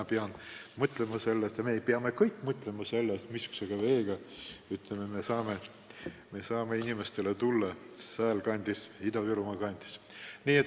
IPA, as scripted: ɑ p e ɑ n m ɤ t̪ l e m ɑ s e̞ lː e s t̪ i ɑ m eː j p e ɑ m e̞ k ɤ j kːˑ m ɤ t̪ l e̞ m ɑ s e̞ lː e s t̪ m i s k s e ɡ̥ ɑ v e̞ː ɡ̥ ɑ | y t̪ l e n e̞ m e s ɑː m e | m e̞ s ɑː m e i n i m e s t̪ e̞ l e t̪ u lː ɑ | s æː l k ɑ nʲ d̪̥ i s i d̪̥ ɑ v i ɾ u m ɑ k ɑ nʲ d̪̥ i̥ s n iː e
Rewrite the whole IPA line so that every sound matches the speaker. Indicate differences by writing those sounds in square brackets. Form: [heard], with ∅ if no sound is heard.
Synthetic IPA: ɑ p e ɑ n m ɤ t̪ l e m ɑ s e̞ lː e s t̪ [j] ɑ m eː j p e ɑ m e̞ k ɤ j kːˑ m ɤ t̪ l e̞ m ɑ s e̞ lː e s t̪ m i s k s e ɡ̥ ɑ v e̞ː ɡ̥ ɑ | y t̪ l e [m] e̞ m e s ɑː m e | m e̞ s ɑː m e i n i m e s t̪ e̞ l e t̪ u lː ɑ | s æː l k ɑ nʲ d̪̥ i s i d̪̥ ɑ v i ɾ u m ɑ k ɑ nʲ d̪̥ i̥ s n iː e